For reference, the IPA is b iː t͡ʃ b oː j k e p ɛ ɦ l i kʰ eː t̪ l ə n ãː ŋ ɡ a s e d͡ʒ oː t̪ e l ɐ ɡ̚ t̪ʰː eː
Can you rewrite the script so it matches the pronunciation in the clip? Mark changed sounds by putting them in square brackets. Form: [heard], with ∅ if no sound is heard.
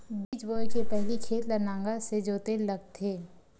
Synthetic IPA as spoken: b iː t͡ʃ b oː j k e p ɛ ɦ l i kʰ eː t̪ l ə n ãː ŋ ɡ a s e d͡ʒ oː t̪ e l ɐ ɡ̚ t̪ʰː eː